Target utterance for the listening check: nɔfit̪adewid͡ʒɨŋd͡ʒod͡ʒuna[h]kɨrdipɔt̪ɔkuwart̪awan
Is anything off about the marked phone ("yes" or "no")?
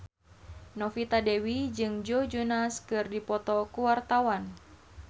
yes